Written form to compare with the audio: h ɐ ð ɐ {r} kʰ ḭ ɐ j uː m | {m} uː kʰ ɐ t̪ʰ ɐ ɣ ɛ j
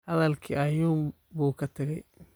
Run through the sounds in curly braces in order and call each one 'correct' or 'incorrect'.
incorrect: l, incorrect: b

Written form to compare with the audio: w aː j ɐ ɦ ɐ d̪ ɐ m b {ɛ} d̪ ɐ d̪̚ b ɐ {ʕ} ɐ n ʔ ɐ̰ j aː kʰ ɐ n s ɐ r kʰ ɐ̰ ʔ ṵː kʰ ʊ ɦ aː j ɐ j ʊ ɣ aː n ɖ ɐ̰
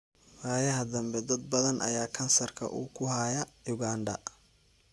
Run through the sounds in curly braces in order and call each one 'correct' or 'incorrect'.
correct, incorrect: ð

